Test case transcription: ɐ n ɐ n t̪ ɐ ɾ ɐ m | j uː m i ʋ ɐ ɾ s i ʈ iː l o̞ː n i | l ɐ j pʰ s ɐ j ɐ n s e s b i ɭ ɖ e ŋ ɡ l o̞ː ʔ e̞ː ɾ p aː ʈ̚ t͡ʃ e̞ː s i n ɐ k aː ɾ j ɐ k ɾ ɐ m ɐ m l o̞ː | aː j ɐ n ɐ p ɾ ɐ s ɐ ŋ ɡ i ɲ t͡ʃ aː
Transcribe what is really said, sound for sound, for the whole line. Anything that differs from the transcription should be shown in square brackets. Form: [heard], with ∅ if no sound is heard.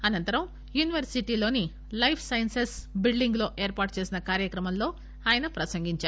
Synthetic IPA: ɐ n ɐ n t̪ ɐ ɾ ɐ m | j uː [n] i ʋ ɐ ɾ s i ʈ iː l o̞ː n i | l ɐ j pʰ s ɐ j ɐ n s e s b i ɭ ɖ [i] ŋ ɡ l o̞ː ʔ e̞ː ɾ p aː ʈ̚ t͡ʃ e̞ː s i n ɐ k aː ɾ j ɐ k ɾ ɐ m ɐ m l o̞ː | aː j ɐ n ɐ p ɾ ɐ s ɐ ŋ ɡ i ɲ t͡ʃ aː

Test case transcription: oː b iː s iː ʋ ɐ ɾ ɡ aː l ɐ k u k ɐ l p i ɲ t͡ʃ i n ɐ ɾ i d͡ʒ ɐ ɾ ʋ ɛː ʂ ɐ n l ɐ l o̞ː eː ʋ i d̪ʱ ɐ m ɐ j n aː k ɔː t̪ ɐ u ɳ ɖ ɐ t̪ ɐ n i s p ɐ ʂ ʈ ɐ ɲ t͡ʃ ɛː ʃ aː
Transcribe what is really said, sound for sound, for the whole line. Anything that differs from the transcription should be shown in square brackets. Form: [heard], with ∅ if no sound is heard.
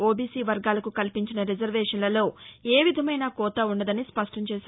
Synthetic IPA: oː b iː s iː ʋ ɐ ɾ ɡ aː l ɐ k u k ɐ l p i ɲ t͡ʃ i n ɐ ɾ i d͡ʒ ɐ ɾ ʋ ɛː ʂ ɐ n l ɐ l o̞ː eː ʋ i d̪ʱ ɐ m ɐ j n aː k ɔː t̪ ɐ u ɳ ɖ ɐ [d̪] ɐ n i s p ɐ ʂ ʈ ɐ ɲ t͡ʃ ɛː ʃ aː

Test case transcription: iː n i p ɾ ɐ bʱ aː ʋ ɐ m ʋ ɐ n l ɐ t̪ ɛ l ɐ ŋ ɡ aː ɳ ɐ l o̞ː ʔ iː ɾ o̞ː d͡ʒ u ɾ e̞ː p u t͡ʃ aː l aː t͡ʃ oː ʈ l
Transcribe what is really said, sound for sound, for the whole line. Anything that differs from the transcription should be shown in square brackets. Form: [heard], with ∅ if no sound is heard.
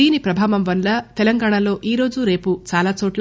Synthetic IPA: iː n i p ɾ ɐ bʱ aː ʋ ɐ m ʋ ɐ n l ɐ t̪ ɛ l ɐ ŋ ɡ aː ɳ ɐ l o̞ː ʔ iː ɾ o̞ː d͡ʒ u ɾ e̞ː p u t͡ʃ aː l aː t͡ʃ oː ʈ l

